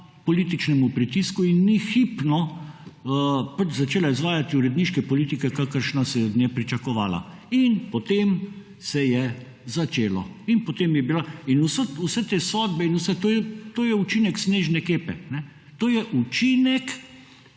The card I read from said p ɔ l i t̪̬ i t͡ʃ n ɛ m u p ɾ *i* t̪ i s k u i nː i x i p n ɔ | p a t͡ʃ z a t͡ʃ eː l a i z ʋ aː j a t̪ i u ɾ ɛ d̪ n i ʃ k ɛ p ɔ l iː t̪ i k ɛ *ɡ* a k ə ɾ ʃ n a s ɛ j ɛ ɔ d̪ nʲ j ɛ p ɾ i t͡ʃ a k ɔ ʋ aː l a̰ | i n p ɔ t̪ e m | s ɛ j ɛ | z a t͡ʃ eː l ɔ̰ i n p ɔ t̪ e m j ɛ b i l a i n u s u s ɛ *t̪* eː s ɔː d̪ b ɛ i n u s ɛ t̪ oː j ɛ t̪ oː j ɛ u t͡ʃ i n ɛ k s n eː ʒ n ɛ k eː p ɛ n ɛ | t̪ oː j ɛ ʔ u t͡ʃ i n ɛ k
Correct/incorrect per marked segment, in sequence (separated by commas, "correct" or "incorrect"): correct, incorrect, correct